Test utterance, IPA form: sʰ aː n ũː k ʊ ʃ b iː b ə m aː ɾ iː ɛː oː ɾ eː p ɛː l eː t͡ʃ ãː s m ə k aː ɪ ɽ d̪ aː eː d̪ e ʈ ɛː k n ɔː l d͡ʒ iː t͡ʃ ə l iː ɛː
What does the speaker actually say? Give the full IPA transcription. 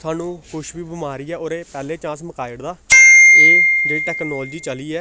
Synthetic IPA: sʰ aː n ũː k ʊ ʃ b iː b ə m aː ɾ iː ɛː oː ɾ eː p ɛː l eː t͡ʃ ãː s m ə k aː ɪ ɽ d̪ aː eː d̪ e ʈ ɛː k n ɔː l d͡ʒ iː t͡ʃ ə l iː ɛː